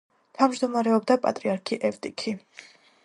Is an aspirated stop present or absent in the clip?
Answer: present